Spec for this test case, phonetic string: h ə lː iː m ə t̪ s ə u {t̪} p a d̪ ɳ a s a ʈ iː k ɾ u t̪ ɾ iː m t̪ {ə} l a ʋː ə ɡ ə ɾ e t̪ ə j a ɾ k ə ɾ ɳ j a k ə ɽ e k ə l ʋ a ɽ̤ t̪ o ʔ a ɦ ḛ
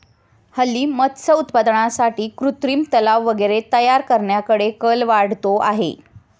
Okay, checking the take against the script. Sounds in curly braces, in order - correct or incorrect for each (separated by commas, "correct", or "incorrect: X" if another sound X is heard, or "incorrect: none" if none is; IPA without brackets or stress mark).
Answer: correct, correct